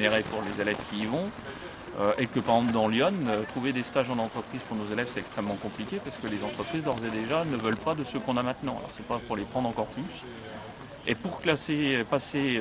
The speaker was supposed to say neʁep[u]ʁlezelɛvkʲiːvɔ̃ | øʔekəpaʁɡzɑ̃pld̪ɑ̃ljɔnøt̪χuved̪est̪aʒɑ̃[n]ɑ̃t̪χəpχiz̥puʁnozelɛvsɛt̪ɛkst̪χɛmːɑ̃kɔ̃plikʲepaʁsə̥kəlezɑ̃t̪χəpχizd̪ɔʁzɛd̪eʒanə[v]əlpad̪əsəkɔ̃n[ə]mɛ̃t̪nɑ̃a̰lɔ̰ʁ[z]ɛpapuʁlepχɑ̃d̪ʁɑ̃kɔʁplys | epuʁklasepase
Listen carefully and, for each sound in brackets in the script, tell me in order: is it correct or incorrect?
correct, correct, correct, incorrect: a, incorrect: s

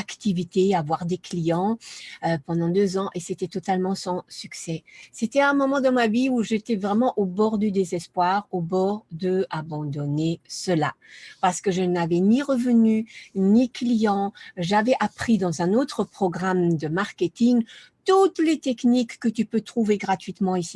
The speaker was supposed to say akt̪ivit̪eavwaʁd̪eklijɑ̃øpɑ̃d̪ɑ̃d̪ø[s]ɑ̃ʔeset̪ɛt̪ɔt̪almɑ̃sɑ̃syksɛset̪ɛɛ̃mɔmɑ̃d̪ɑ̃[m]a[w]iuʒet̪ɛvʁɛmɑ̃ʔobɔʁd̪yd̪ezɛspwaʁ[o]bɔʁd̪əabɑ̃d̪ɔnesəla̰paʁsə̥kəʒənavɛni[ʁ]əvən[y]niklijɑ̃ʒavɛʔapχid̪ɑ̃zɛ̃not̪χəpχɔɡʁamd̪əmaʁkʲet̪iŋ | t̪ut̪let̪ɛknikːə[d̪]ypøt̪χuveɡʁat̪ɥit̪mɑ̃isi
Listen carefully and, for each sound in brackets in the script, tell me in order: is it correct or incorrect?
incorrect: z, correct, incorrect: v, correct, correct, correct, incorrect: t̪

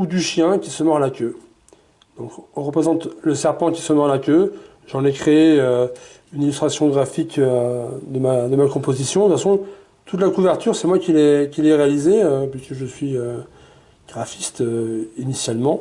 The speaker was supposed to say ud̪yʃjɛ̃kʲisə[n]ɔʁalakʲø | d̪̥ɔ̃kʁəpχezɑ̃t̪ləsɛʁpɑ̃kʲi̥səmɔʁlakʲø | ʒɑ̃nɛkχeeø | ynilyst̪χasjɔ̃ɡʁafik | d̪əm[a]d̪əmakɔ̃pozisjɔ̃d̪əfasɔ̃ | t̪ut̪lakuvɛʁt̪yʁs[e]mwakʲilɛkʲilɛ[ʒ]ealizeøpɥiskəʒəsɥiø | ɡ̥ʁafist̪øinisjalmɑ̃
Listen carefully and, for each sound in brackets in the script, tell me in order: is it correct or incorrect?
incorrect: m, correct, incorrect: ɛ, incorrect: ʁ

